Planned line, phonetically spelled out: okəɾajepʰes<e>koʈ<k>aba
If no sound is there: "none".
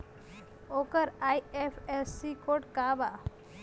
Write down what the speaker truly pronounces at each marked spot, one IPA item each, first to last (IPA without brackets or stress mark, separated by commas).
i, k